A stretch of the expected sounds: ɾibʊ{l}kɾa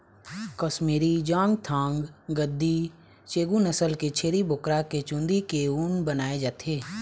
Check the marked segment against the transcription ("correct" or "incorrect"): incorrect